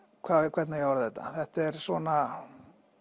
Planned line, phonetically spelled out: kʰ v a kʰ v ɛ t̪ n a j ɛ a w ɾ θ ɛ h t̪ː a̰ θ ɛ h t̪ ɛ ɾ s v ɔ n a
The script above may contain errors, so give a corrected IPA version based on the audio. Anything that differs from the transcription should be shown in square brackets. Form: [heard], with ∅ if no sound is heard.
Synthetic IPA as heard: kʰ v a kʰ v ɛ t̪ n a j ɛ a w ɾ θ ɛ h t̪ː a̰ θ ɛ h t̪ ɛ ɾ s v ɔ n a